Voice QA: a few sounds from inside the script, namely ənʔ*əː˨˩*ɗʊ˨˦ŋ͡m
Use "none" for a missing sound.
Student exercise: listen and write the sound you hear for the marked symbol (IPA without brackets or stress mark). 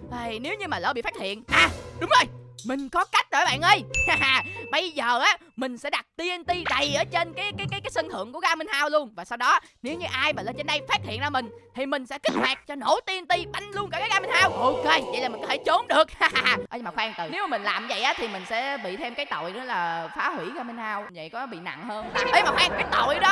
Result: aː˨˩